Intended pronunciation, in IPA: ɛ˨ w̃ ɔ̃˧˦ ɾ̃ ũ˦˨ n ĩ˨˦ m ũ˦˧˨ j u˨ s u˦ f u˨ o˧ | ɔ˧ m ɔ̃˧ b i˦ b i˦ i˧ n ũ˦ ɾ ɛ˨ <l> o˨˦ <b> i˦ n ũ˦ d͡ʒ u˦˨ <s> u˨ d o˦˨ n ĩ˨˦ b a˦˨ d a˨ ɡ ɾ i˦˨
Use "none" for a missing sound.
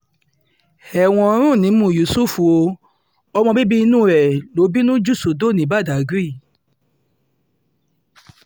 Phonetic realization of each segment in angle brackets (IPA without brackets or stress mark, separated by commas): l, b, s